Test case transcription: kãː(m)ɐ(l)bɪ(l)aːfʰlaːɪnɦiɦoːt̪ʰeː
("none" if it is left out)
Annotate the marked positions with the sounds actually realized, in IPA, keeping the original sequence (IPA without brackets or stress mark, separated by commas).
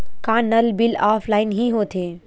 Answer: n, l, l